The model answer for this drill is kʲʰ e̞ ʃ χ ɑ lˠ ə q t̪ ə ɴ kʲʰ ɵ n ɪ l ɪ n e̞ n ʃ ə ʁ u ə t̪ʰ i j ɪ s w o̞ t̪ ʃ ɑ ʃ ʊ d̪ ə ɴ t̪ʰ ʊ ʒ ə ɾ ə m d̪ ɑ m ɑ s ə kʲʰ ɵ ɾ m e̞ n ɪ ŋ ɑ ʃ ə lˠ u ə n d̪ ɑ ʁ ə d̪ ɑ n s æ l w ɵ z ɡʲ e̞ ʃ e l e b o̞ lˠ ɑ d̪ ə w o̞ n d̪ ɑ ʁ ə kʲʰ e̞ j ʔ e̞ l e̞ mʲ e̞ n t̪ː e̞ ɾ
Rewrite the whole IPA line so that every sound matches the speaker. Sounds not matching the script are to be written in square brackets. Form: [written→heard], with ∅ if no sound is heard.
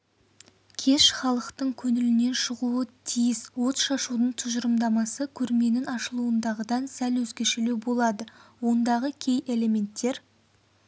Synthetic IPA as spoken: kʲʰ e̞ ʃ χ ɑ lˠ ə q t̪ ə ɴ kʲʰ ɵ n ɪ l ɪ n e̞ n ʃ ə ʁ u ə t̪ʰ i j ɪ s w o̞ t̪ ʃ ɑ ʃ [ʊ→u] d̪ ə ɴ t̪ʰ ʊ ʒ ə ɾ ə m d̪ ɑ m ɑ s ə kʲʰ ɵ ɾ m e̞ n ɪ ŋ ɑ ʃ ə lˠ u ə n d̪ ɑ ʁ ə d̪ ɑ n s æ l w ɵ z ɡʲ e̞ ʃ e l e b o̞ lˠ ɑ d̪ ə w o̞ n d̪ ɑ ʁ ə kʲʰ e̞ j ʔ e̞ l e̞ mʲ e̞ n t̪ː e̞ ɾ